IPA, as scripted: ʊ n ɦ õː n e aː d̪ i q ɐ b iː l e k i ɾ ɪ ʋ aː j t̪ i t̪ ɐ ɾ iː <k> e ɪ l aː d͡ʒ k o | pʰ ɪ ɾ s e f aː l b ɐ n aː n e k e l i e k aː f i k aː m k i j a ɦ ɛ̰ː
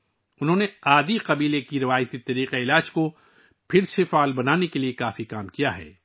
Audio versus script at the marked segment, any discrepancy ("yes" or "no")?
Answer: yes